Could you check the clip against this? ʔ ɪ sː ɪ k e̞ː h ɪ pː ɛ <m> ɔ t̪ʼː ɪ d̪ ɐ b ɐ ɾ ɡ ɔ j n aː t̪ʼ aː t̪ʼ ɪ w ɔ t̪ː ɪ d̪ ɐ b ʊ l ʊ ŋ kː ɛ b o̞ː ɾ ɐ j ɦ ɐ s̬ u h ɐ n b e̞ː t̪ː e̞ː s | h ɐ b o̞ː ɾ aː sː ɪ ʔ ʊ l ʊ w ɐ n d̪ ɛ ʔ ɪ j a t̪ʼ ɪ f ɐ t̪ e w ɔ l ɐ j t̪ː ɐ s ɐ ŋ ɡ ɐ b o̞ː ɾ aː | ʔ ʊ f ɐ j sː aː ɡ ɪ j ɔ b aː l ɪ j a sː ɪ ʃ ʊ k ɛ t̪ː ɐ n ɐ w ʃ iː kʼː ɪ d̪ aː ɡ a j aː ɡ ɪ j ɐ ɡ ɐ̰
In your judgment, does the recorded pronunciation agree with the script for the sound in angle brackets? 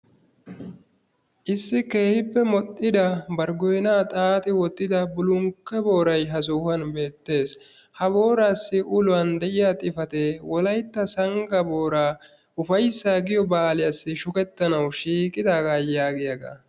yes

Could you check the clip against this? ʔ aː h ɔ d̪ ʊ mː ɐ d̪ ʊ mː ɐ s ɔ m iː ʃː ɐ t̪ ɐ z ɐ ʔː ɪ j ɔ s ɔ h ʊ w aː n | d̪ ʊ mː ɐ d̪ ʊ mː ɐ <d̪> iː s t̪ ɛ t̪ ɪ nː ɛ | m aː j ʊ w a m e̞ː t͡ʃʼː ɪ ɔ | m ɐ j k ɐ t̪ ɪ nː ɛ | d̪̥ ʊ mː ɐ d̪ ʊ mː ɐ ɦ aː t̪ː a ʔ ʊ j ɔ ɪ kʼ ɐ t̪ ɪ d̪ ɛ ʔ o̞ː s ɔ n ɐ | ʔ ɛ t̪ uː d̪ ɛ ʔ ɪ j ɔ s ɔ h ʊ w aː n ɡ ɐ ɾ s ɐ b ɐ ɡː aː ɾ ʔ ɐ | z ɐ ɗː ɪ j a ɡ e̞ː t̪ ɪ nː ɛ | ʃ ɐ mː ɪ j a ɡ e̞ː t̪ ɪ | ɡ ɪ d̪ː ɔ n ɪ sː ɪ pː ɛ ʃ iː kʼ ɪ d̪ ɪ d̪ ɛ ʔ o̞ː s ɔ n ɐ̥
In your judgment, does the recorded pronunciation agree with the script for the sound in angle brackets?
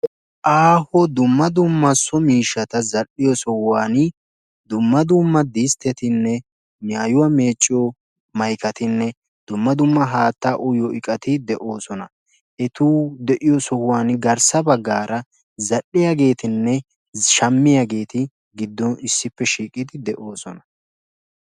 yes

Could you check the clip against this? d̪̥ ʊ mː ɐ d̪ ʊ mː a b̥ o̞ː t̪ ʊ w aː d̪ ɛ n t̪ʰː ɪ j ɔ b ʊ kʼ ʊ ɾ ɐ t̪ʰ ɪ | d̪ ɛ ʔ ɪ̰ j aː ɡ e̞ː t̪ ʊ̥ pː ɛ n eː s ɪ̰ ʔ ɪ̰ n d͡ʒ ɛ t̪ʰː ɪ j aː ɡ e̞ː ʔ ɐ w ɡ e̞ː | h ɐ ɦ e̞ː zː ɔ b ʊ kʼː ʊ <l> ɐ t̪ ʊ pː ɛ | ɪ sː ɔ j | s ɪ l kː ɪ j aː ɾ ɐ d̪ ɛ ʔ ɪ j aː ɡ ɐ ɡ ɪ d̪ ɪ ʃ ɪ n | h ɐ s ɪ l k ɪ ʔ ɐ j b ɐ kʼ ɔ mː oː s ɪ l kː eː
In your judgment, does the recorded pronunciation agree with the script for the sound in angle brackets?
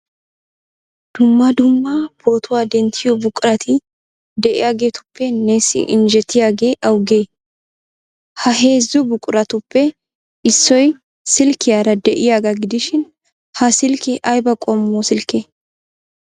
no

